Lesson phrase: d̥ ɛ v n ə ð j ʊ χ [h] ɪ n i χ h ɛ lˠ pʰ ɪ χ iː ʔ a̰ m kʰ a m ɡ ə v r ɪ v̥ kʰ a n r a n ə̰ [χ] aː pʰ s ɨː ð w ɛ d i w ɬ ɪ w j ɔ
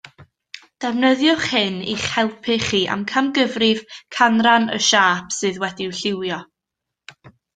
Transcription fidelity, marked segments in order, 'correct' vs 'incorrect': correct, incorrect: ʃ

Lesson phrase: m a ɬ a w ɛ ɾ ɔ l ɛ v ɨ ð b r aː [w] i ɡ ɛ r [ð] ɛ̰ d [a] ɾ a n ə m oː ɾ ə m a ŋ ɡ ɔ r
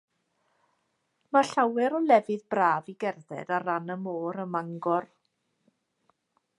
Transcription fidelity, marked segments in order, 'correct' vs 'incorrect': incorrect: v, correct, correct

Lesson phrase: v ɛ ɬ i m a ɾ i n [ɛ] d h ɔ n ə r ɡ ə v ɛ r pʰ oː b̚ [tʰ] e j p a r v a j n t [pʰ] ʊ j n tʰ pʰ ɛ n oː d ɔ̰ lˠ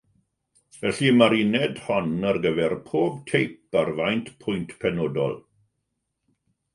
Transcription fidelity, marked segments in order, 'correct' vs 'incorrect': correct, correct, correct

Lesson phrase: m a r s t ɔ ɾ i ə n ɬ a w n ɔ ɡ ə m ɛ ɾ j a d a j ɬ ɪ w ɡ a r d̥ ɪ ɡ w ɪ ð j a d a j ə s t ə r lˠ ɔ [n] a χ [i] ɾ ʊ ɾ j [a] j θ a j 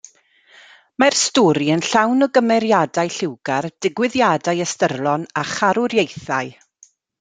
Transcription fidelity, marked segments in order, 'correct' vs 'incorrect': correct, incorrect: a, incorrect: e

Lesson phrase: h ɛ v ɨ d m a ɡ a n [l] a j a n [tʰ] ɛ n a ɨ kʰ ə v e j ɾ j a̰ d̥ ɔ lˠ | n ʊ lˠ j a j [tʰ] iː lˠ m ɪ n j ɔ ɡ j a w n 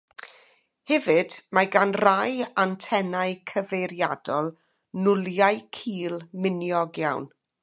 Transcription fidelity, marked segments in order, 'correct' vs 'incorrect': incorrect: r, correct, incorrect: kʰ

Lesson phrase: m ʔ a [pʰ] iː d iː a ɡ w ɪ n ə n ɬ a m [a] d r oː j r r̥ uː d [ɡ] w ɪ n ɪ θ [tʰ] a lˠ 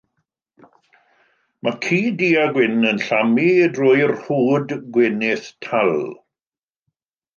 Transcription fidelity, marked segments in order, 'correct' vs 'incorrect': incorrect: kʰ, incorrect: i, correct, correct

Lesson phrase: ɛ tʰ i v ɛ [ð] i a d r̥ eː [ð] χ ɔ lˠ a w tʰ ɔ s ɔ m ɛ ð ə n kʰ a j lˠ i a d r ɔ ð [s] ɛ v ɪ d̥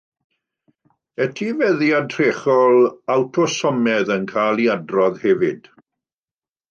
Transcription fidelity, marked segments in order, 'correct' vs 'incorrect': correct, incorrect: none, incorrect: h

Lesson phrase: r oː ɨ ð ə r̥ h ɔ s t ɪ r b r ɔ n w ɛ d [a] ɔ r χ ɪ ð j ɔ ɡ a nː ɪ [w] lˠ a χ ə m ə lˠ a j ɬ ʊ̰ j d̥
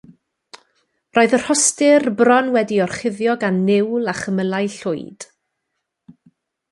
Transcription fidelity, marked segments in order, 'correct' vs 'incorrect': incorrect: i, correct

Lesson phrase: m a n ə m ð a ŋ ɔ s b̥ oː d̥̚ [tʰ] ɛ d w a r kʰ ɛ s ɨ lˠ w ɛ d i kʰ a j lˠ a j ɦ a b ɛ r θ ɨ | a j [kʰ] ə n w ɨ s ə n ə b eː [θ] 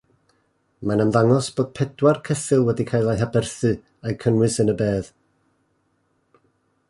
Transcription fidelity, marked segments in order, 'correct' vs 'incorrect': incorrect: pʰ, correct, incorrect: ð

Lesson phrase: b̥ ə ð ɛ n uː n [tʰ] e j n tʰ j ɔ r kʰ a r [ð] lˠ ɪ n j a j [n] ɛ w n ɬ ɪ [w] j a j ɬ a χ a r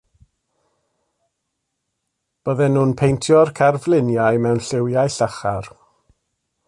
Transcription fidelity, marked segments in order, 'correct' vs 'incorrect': incorrect: pʰ, incorrect: v, incorrect: m, correct

